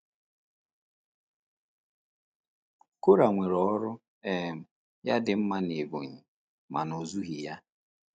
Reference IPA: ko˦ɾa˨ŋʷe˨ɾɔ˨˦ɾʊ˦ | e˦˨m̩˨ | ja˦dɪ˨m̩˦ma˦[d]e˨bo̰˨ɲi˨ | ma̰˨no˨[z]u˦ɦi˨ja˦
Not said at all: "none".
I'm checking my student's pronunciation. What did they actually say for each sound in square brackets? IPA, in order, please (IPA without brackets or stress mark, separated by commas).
n, z